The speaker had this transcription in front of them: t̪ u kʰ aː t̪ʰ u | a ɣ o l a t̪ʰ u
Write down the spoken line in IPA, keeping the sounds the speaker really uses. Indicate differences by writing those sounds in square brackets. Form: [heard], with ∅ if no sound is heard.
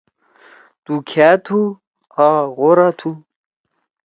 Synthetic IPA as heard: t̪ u kʰ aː t̪ʰ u | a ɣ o [ɾ] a t̪ʰ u